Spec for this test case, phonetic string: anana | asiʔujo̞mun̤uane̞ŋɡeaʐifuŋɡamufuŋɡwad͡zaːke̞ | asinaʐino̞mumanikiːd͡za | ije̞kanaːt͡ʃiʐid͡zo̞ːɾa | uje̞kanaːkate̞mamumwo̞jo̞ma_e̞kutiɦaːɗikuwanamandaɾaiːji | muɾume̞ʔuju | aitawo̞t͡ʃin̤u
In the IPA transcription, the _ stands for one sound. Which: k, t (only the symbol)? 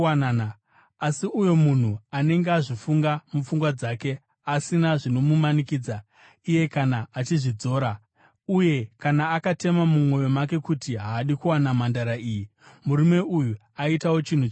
k